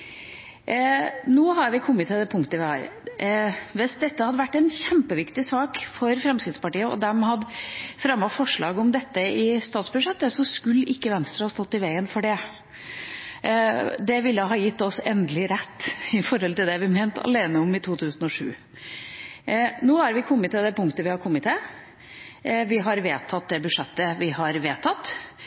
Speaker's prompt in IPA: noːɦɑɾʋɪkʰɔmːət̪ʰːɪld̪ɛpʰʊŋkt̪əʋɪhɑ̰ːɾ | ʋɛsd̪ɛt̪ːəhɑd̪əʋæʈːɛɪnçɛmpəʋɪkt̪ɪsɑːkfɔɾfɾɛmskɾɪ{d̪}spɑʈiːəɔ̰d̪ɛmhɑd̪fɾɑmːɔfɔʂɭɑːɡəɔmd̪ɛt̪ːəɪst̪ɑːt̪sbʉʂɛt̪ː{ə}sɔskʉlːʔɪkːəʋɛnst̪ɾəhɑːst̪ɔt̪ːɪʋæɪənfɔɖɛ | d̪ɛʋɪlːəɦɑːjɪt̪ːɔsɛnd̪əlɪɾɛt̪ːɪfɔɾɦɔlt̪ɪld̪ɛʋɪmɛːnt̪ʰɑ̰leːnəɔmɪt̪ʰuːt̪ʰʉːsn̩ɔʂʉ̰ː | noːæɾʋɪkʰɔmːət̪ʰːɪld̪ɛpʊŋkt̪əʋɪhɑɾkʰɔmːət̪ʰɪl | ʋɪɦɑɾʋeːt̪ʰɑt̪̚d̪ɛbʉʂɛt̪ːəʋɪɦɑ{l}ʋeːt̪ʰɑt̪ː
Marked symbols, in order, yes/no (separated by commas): no, yes, no